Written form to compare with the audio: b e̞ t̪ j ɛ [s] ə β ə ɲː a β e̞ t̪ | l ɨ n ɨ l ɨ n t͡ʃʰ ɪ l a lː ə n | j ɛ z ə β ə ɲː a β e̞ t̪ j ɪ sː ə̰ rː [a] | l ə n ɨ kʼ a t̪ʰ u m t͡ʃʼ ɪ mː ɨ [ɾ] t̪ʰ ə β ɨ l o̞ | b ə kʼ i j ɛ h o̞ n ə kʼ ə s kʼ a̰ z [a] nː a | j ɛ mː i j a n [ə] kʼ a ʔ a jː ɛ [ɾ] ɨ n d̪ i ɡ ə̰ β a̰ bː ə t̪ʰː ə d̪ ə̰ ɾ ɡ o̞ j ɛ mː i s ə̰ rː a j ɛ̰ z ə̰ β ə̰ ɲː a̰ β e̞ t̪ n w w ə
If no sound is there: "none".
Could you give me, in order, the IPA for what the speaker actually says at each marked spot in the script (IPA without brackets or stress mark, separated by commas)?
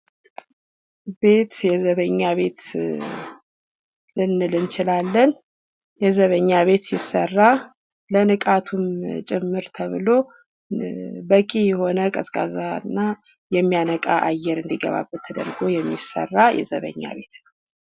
z, a, ɾ, a, ə, ɾ